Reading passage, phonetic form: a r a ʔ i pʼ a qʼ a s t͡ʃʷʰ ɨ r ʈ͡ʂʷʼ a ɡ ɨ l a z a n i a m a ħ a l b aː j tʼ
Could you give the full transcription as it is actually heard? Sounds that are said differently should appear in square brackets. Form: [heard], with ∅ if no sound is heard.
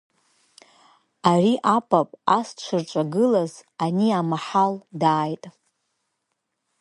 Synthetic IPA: a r [i] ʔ [a] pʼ a [pʼ] a s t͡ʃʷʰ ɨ r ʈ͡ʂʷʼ a ɡ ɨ l a z a n i a m a ħ a l [d] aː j tʼ